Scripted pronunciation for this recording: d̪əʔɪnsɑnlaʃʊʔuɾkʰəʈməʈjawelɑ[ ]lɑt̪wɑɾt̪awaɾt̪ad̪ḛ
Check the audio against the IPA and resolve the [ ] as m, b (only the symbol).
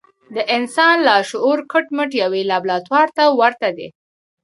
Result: b